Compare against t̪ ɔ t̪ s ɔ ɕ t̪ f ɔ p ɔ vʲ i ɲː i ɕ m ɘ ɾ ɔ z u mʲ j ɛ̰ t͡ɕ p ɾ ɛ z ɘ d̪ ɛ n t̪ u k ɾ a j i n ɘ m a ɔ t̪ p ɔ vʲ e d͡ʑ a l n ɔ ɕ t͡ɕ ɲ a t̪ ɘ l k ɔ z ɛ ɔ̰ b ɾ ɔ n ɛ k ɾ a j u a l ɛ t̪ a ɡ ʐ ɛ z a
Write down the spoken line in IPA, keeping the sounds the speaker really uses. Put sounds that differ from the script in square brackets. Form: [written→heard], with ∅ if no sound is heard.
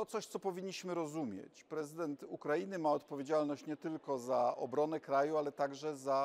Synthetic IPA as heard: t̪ ɔ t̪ s ɔ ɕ t̪ [f→s] ɔ p ɔ vʲ i ɲː i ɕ m ɘ ɾ ɔ z u mʲ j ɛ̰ t͡ɕ p ɾ ɛ z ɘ d̪ ɛ n t̪ u k ɾ a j i n ɘ m a ɔ t̪ p ɔ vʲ e d͡ʑ a l n ɔ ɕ t͡ɕ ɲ [a→ɛ] t̪ ɘ l k ɔ z [ɛ→a] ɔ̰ b ɾ ɔ n ɛ k ɾ a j u a l ɛ t̪ a ɡ ʐ ɛ z a